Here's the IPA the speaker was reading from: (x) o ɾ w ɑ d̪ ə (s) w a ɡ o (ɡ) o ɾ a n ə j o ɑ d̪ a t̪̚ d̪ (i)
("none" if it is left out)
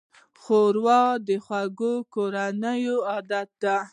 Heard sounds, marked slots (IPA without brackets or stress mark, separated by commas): x, x, k, a